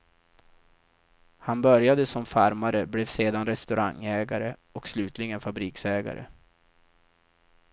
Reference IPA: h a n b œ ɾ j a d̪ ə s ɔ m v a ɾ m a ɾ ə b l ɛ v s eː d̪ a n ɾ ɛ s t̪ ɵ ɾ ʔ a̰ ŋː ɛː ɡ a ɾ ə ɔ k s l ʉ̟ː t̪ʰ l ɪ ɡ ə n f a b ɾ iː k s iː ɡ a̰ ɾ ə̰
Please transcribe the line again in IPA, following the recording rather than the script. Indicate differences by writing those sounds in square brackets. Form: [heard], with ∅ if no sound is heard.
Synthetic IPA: h a n b œ ɾ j a d̪ ə s ɔ m [f] a ɾ m a ɾ ə b l ɛ v s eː d̪ a n ɾ ɛ s t̪ ɵ ɾ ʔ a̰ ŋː ɛː ɡ a ɾ ə ɔ k s l ʉ̟ː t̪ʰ l ɪ ɡ ə n f a b ɾ iː k s [ɛː] ɡ a̰ ɾ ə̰